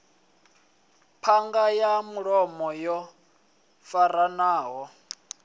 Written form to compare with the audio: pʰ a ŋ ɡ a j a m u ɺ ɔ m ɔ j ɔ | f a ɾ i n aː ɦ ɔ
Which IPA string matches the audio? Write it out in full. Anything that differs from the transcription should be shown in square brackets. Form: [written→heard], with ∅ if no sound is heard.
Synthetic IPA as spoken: pʰ a ŋ ɡ a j a m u ɺ ɔ m ɔ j ɔ | f a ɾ [i→a] n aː ɦ ɔ